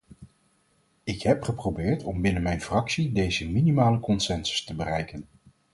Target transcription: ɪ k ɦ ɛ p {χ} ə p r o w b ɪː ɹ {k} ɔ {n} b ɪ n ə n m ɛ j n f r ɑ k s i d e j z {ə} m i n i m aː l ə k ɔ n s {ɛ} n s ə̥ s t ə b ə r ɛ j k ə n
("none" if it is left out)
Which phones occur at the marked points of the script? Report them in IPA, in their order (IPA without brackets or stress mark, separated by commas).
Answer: χ, t, m, ə, ɛ